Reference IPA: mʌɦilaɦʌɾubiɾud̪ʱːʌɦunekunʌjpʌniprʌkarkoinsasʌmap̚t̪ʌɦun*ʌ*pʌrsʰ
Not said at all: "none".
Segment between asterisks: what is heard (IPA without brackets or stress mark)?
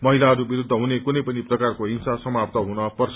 ʌ